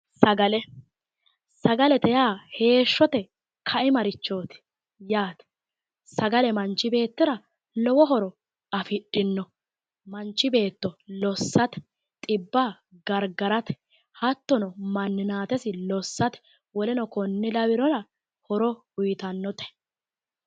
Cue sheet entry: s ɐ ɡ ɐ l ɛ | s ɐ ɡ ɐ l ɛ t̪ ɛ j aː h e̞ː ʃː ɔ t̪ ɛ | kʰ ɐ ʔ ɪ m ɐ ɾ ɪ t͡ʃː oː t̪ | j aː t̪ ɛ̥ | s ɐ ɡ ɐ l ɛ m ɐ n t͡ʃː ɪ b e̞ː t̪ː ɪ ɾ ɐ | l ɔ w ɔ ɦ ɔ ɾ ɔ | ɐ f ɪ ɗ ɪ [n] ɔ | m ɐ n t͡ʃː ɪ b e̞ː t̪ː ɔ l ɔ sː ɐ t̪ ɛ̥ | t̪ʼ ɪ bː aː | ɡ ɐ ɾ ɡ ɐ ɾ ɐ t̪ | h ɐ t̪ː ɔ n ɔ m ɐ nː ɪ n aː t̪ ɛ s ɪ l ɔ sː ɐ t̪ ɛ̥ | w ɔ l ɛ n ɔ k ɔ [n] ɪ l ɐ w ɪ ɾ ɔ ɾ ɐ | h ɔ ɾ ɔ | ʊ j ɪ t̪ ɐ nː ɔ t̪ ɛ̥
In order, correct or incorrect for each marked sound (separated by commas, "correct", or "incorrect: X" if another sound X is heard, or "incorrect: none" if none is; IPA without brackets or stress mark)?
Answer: incorrect: nː, incorrect: nː